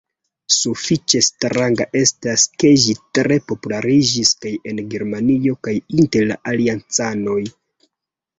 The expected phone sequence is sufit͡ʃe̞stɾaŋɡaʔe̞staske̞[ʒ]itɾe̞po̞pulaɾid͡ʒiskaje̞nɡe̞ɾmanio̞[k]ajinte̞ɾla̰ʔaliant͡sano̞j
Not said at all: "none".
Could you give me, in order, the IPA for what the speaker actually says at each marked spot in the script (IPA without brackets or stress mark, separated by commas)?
ʒ, k